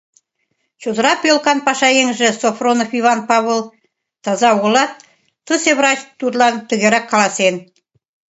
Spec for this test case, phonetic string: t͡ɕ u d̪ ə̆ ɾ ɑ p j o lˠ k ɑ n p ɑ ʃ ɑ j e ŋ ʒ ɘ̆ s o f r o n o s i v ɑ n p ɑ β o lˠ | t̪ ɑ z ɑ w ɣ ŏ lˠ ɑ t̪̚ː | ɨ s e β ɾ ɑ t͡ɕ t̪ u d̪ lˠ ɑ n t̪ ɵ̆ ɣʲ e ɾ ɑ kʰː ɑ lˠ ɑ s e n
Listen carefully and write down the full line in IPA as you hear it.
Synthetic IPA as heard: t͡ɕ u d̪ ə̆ ɾ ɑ p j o lˠ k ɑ n p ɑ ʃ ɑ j e ŋ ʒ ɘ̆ s o f r o n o f i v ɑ n p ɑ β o lˠ | t̪ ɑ z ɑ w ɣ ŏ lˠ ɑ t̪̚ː | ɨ s e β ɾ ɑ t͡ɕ t̪ u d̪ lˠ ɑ n t̪ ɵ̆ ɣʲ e ɾ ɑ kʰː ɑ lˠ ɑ s e n